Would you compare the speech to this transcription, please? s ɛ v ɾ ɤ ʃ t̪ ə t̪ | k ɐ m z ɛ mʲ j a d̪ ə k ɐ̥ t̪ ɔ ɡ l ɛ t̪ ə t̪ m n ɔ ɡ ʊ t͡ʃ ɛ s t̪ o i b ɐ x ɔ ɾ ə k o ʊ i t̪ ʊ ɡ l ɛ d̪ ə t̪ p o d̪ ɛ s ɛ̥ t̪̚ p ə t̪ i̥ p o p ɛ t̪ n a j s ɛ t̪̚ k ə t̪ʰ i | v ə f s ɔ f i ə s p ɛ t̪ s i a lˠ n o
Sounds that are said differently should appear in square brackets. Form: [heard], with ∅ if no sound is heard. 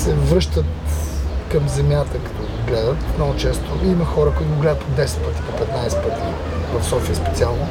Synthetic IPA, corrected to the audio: s ɛ v ɾ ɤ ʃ t̪ ə t̪ | k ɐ m z ɛ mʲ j a [t̪] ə k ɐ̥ t̪ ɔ ɡ l ɛ [d̪] ə t̪ m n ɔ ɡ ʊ t͡ʃ ɛ s t̪ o i [m] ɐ x ɔ ɾ ə k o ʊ i t̪ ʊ ɡ l ɛ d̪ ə t̪ p o d̪ ɛ s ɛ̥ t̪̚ p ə t̪ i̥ p o p ɛ t̪ n a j s ɛ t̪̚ [p] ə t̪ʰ i | v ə f s ɔ f i ə s p ɛ t̪ s i a lˠ n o